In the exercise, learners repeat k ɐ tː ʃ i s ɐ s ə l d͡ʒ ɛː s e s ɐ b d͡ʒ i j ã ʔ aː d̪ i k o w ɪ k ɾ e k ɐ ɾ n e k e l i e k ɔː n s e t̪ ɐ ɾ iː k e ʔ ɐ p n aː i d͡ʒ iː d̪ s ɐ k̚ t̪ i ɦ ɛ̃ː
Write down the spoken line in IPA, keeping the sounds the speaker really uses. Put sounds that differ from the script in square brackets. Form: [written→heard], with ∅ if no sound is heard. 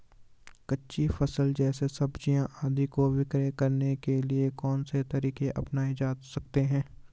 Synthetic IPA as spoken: k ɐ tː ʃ i [s→f] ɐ s ə l d͡ʒ ɛː s e s ɐ b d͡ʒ i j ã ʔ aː d̪ i k o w ɪ k ɾ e k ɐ ɾ n e k e l i e k ɔː n s e t̪ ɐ ɾ iː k e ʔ ɐ p n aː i d͡ʒ [iː→aː] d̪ s ɐ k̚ t̪ [i→e] ɦ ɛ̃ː